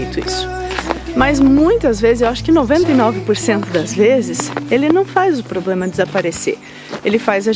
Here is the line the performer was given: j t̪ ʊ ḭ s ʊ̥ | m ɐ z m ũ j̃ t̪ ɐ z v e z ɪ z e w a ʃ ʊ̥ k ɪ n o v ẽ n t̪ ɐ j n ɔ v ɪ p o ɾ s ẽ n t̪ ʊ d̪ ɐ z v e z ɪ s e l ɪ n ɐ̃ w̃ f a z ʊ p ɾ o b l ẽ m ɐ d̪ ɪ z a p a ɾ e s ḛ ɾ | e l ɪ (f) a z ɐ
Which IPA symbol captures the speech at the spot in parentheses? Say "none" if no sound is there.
f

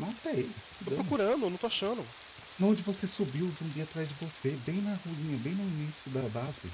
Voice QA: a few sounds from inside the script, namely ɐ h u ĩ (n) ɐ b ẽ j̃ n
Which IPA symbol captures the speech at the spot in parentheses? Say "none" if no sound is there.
ɲ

